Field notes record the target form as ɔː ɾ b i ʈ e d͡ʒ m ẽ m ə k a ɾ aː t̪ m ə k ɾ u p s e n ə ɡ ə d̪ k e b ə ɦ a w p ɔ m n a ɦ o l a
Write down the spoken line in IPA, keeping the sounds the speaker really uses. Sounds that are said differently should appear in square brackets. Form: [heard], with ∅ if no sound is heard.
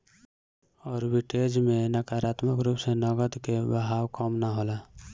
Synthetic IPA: ɔː ɾ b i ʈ e d͡ʒ m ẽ [n] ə k a ɾ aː t̪ m ə k ɾ u p s e n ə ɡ ə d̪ k e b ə ɦ a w [k] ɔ m n a ɦ o l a